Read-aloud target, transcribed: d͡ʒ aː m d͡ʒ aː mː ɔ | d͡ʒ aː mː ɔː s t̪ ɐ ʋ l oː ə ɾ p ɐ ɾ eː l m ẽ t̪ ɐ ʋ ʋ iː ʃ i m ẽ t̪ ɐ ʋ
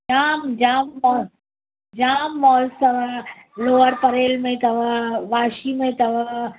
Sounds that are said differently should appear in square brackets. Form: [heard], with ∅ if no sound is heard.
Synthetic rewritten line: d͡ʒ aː m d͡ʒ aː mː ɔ | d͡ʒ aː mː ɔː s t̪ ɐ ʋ l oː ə ɾ p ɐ ɾ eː l m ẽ t̪ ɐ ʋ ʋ [aː] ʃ i m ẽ t̪ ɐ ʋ

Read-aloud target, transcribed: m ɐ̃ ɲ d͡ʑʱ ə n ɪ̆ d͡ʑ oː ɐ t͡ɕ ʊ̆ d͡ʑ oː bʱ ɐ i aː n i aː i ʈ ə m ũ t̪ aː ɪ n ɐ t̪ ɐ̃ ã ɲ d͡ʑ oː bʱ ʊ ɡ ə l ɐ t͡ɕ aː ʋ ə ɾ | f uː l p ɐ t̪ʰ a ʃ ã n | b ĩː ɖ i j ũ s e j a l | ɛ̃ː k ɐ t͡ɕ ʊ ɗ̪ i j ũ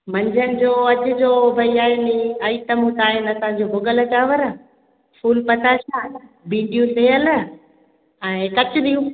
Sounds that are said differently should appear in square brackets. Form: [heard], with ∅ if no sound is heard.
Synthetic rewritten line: m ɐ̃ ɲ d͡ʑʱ ə n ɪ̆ d͡ʑ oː ɐ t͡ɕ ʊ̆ d͡ʑ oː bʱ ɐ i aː n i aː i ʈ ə m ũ t̪ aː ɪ n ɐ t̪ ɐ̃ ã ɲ d͡ʑ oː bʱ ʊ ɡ ə l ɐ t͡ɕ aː ʋ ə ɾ | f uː l p ɐ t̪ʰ a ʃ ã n | b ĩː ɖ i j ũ s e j [ə] l | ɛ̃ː k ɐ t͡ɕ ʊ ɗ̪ i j ũ

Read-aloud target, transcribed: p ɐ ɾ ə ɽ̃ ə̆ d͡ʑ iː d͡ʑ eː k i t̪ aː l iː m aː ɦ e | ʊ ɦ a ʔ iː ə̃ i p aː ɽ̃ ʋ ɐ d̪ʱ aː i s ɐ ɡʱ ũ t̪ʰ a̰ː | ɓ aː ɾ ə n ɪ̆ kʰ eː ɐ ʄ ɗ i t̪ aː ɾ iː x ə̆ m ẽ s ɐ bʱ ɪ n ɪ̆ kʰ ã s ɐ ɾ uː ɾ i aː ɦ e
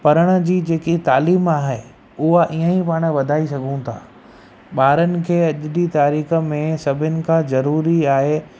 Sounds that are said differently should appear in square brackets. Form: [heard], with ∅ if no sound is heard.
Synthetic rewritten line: p ɐ ɾ ə ɽ̃ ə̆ d͡ʑ iː d͡ʑ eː k i t̪ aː l iː m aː ɦ e | ʊ ɦ a ʔ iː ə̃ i p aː ɽ̃ ʋ ɐ d̪ʱ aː i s ɐ ɡʱ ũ t̪ʰ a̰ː | ɓ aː ɾ ə n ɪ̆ kʰ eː ɐ ʄ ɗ i t̪ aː ɾ iː x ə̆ m ẽ s ɐ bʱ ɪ n ɪ̆ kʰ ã [z] ɐ ɾ uː ɾ i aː ɦ e

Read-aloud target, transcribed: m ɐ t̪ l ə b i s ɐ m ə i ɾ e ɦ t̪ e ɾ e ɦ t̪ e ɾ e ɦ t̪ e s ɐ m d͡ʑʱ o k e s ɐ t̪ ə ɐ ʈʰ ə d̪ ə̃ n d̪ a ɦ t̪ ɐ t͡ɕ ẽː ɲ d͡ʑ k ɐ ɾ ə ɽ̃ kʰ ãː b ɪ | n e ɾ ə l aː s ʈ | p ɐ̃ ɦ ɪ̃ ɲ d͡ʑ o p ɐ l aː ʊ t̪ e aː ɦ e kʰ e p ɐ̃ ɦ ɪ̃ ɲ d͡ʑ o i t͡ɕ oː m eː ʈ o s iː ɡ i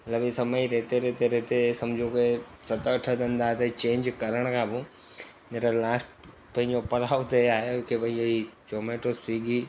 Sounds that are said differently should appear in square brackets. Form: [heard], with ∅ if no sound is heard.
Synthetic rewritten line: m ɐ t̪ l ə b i s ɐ m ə i ɾ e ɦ t̪ e ɾ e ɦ t̪ e ɾ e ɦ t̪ e s ɐ m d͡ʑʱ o k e s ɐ t̪ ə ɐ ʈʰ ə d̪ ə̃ n d̪ a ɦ t̪ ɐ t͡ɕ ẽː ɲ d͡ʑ k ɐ ɾ ə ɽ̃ kʰ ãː b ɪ | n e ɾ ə l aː s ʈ | p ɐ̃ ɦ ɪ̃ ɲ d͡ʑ o p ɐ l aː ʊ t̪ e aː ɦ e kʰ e p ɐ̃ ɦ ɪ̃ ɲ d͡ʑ o i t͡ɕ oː m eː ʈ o s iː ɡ i

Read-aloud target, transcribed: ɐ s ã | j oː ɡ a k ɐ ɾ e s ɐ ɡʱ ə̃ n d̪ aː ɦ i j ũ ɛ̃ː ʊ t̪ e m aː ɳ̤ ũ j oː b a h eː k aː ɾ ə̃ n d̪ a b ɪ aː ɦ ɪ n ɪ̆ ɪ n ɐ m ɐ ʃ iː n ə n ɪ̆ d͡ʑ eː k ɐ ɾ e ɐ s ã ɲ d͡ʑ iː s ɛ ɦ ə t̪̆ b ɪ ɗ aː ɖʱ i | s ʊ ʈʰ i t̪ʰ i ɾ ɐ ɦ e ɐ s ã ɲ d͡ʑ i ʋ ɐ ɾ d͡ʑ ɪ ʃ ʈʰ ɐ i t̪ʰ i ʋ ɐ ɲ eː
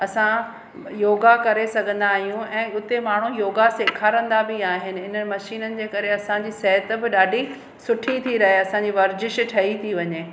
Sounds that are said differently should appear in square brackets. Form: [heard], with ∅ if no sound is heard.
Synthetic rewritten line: ɐ s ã | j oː ɡ a k ɐ ɾ e s ɐ ɡʱ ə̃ n d̪ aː ɦ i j ũ ɛ̃ː ʊ t̪ e m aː ɳ̤ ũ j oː [ɡ] a [s] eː [kʰ] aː ɾ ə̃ n d̪ a b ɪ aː ɦ ɪ n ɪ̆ ɪ n [ə] m ɐ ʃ iː n ə n ɪ̆ d͡ʑ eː k ɐ ɾ e ɐ s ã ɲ d͡ʑ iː s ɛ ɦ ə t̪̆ b ɪ ɗ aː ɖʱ i | s ʊ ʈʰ i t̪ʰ i ɾ ɐ ɦ e ɐ s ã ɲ d͡ʑ i ʋ ɐ ɾ d͡ʑ ɪ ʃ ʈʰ ɐ i t̪ʰ i ʋ ɐ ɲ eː

